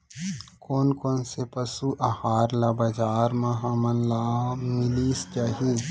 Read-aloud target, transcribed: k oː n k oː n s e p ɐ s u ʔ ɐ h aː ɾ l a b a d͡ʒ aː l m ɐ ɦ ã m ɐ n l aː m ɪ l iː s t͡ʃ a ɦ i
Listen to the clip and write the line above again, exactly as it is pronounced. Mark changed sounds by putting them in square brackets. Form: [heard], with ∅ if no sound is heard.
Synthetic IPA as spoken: k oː n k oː n s e p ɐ s u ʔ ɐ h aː ɾ l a b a d͡ʒ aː [ɾ] m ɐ ɦ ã m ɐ n l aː m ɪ l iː s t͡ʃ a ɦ i